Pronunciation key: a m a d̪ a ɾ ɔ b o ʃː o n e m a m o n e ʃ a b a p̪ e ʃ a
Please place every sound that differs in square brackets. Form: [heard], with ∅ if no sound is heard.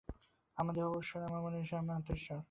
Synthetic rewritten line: a m a d̪ [e] ɾ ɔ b o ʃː o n [a] m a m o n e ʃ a [m] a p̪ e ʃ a